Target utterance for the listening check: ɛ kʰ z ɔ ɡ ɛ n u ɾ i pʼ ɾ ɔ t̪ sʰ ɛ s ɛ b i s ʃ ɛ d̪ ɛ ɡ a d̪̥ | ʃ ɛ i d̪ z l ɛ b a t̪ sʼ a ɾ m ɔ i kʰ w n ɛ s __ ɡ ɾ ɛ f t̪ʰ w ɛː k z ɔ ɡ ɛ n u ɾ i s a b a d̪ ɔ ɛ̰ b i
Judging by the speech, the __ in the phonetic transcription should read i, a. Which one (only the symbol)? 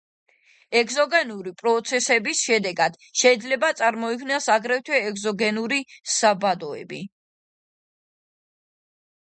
a